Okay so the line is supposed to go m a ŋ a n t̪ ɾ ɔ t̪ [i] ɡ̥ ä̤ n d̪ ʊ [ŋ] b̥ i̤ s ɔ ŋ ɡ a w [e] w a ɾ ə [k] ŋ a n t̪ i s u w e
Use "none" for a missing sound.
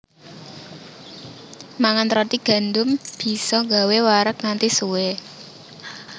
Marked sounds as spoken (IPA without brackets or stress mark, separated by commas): i, m, e, k